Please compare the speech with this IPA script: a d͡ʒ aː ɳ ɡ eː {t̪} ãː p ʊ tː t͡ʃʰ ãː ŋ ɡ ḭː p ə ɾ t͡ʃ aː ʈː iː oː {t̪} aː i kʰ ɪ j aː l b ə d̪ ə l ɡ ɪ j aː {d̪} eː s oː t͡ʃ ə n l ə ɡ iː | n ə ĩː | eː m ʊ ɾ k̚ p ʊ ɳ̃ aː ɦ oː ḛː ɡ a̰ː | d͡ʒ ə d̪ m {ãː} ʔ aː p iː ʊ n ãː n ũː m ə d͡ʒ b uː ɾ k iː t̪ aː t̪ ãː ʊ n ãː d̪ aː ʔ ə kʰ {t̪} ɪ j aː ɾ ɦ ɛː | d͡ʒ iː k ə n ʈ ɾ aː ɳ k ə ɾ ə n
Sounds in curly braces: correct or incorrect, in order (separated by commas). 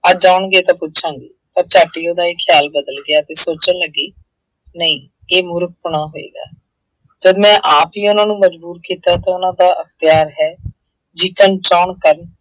correct, incorrect, incorrect, incorrect, correct